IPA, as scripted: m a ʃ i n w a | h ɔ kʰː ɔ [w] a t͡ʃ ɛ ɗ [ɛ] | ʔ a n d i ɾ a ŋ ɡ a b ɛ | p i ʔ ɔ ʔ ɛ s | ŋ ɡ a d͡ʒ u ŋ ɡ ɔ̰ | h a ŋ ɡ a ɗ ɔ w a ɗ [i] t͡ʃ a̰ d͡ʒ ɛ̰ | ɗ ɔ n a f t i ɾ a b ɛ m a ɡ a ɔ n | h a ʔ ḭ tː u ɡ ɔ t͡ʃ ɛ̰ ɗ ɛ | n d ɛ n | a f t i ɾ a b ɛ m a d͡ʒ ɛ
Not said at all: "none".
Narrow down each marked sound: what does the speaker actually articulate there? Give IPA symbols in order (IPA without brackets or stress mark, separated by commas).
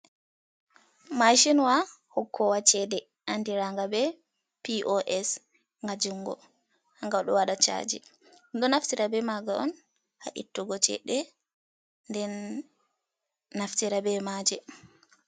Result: w, ɛ, a